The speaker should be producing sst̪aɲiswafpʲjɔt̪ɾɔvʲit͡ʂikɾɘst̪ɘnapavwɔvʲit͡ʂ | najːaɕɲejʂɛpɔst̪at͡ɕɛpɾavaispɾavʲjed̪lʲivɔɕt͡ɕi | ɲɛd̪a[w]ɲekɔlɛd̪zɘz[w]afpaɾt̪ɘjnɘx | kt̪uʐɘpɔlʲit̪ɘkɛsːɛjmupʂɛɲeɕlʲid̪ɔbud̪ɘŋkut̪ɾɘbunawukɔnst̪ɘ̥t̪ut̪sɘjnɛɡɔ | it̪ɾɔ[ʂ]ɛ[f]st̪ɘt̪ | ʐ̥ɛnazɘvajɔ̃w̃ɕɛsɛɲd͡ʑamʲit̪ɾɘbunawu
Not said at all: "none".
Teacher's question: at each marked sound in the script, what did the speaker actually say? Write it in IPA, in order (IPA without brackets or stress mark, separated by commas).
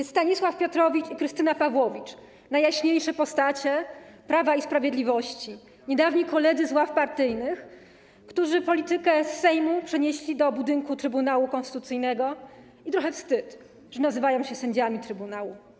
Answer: v, w, x, f